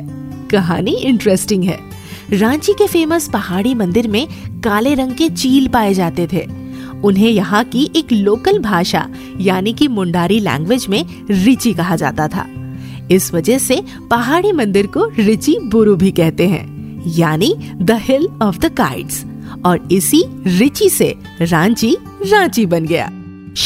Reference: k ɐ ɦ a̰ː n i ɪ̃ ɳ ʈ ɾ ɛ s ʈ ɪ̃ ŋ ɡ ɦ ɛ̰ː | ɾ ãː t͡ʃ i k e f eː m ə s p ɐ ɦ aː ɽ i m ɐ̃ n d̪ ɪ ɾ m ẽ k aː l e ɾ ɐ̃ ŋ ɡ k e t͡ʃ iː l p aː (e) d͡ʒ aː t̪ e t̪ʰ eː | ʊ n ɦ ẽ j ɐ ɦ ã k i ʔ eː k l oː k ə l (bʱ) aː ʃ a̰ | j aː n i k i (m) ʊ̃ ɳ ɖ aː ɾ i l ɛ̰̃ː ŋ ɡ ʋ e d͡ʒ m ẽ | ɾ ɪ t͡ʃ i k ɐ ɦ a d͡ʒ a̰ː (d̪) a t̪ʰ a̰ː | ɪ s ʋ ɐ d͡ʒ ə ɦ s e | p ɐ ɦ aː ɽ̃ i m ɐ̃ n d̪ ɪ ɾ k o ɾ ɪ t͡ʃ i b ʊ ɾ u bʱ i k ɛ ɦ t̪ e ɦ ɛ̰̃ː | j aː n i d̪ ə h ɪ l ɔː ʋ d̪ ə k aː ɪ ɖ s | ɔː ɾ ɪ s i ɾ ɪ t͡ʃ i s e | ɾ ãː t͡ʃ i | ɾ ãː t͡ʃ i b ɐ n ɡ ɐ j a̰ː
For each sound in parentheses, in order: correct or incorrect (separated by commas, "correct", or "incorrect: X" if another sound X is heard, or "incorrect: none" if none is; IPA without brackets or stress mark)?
correct, correct, correct, incorrect: t̪